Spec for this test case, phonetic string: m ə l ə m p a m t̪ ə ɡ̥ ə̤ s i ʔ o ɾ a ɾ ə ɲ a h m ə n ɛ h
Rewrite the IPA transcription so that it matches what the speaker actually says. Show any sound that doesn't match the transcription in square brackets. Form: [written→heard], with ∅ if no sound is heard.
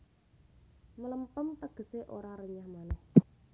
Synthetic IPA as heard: m ə l ə m p [a→ə] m t̪ ə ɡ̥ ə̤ s [i→e] ʔ o ɾ a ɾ ə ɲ a h m [ə→a] n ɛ h